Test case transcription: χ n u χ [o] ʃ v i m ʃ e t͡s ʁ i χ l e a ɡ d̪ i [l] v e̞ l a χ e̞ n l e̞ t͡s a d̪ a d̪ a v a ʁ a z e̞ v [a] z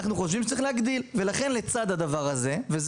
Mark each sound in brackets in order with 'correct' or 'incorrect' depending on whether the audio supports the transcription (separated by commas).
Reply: correct, correct, incorrect